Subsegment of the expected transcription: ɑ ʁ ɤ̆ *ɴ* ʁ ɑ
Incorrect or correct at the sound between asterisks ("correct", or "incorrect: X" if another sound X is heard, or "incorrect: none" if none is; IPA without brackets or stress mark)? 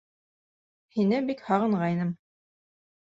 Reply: correct